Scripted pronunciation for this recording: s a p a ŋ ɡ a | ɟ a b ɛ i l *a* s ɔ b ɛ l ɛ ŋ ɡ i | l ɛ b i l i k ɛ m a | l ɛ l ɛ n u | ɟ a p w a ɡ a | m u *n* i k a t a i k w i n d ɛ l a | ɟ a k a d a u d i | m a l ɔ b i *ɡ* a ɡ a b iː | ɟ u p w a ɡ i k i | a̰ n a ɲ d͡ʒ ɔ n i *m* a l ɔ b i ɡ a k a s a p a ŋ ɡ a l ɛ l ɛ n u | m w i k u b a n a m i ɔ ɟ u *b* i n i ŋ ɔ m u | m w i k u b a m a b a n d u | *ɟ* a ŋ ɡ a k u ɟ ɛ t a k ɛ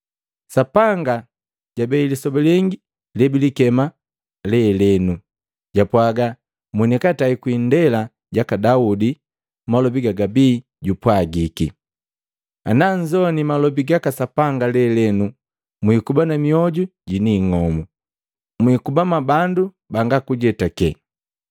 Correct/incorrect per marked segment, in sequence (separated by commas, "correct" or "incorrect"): incorrect, correct, correct, correct, incorrect, incorrect